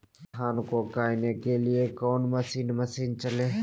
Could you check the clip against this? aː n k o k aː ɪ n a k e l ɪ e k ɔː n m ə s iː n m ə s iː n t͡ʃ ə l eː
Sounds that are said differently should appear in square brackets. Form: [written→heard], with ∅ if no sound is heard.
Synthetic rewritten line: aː n k o k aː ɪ n [a→e] k e l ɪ e k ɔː n m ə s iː n m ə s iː n t͡ʃ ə l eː